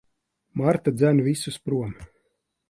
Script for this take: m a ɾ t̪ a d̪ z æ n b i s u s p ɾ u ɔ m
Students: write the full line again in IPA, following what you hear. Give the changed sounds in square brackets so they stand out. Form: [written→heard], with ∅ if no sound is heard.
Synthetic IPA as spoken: m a ɾ t̪ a d̪ z æ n [b→v] i s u s p ɾ u ɔ m